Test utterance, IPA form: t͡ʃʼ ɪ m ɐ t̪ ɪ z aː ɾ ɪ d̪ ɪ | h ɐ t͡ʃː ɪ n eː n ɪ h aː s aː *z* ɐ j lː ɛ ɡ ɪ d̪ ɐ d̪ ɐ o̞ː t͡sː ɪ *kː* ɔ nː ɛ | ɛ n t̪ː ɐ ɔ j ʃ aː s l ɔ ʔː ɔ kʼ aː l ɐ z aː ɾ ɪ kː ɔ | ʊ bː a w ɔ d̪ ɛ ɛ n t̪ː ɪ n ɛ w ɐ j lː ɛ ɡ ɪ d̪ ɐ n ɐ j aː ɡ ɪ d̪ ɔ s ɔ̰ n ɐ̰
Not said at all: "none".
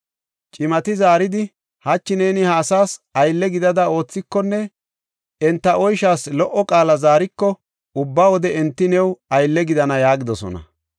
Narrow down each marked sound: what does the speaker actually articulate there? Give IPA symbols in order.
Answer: s, kː

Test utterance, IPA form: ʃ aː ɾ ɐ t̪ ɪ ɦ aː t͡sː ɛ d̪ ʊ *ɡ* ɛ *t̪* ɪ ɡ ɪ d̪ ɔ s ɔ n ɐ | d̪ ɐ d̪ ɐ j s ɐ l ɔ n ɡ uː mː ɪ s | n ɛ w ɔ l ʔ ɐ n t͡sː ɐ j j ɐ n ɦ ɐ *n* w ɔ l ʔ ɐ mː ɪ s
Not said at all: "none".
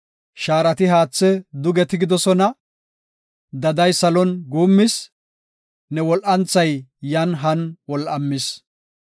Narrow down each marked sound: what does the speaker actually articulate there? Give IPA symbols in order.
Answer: ɡ, t̪, n

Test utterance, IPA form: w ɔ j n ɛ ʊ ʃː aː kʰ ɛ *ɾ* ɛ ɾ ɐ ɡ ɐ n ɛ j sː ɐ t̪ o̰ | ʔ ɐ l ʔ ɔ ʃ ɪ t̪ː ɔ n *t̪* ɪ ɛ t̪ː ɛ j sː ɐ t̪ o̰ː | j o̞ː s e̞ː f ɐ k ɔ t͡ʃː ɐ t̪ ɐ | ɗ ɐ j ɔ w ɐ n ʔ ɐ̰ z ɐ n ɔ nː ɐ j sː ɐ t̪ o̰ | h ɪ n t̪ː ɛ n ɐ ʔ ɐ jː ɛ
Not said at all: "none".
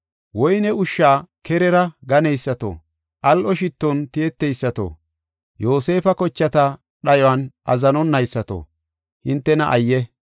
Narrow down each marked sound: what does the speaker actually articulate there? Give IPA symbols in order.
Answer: ɾ, t̪

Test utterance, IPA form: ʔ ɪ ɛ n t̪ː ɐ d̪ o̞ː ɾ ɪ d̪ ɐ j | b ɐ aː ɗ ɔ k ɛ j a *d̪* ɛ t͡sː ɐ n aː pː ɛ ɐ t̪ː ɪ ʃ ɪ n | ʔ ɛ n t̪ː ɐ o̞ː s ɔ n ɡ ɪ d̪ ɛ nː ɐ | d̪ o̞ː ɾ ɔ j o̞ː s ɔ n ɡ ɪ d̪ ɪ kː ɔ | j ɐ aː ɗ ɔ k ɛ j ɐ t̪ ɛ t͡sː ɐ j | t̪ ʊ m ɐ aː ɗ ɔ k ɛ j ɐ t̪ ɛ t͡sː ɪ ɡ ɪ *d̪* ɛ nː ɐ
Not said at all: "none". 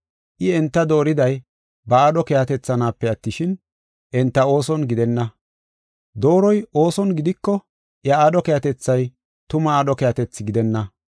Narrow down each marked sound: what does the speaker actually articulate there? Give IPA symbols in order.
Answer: t̪, d̪

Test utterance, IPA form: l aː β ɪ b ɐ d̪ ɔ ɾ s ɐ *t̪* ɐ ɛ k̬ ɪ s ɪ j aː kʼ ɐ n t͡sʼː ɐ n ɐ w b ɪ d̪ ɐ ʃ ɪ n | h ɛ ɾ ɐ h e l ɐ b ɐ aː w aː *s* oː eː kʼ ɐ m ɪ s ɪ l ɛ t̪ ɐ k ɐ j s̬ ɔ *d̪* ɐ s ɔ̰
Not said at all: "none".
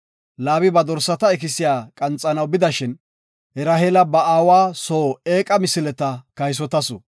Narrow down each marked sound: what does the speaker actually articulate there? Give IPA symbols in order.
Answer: t̪, s, t̪

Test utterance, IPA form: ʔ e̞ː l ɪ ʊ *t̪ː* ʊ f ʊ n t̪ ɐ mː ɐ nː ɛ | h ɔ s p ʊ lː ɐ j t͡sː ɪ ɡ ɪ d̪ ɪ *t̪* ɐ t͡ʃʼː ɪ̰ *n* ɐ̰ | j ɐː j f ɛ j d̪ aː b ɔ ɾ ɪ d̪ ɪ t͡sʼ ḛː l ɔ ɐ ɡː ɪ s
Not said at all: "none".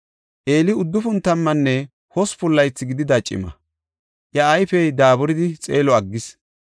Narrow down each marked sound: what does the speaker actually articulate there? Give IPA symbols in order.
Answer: d̪ː, d̪, m

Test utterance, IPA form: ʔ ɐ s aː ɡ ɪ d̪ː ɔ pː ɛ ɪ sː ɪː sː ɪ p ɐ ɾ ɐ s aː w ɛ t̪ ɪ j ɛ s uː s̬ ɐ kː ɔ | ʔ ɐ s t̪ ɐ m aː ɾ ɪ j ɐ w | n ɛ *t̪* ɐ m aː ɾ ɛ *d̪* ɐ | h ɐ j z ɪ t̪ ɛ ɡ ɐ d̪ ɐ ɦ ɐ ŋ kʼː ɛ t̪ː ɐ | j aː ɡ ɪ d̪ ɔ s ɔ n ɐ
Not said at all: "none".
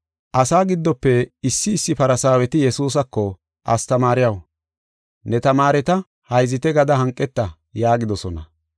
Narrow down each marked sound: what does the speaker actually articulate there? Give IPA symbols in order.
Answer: t̪, t̪

